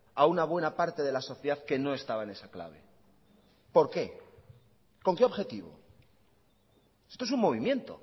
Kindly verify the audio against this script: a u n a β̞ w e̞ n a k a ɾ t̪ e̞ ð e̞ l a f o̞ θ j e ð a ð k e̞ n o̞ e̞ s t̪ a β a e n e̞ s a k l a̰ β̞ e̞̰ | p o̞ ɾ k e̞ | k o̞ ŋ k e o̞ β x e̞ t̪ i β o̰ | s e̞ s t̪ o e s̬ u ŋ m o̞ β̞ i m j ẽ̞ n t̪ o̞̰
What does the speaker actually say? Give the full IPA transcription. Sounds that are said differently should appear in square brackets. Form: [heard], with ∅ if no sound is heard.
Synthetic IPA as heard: a u n a β̞ w e̞ n a [p] a ɾ t̪ e̞ ð e̞ l a [s] o̞ θ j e ð a ð k e̞ n o̞ e̞ s t̪ a β a e n e̞ s a k l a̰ β̞ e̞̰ | p o̞ ɾ k e̞ | k o̞ ŋ k e o̞ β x e̞ t̪ i β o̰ | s e̞ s t̪ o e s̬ u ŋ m o̞ β̞ i m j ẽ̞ n t̪ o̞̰